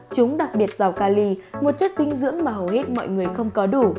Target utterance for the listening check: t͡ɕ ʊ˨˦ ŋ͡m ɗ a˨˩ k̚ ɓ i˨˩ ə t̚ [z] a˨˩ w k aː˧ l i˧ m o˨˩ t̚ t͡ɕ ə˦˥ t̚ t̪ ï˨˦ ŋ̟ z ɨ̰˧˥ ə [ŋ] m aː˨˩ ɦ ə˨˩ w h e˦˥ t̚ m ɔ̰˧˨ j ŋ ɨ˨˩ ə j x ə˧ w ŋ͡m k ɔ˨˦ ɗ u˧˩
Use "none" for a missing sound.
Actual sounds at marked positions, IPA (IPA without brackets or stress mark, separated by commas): z, ŋ